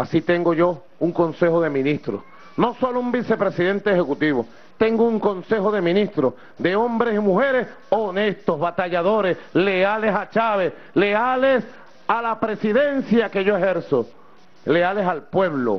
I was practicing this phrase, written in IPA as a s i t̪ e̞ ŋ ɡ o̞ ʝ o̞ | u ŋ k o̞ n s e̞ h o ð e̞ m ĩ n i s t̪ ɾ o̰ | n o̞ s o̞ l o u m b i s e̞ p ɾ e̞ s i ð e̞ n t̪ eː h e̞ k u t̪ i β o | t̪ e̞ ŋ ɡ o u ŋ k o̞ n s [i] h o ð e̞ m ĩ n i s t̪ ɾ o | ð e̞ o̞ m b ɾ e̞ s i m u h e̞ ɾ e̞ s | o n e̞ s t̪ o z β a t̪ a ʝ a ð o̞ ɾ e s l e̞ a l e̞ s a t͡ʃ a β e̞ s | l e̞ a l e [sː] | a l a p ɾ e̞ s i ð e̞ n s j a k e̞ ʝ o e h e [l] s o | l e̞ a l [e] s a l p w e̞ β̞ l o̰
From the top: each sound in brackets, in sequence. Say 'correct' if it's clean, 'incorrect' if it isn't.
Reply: incorrect: e, incorrect: s, incorrect: ɾ, correct

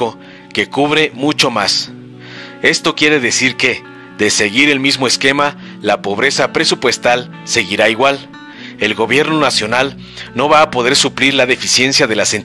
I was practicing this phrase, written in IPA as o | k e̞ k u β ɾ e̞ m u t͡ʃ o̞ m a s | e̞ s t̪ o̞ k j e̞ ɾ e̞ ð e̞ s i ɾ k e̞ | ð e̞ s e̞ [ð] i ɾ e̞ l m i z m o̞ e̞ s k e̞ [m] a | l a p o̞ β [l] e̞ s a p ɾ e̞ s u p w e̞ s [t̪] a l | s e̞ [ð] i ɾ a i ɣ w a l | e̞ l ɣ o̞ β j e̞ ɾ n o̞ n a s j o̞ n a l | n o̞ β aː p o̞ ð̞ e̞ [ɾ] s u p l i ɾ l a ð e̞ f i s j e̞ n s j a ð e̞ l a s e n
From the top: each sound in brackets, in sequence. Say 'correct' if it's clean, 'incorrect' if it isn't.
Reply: incorrect: ɣ, correct, incorrect: ɾ, correct, incorrect: ɣ, correct

